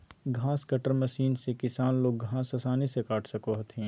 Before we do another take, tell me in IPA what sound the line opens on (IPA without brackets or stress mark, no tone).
ɡʱ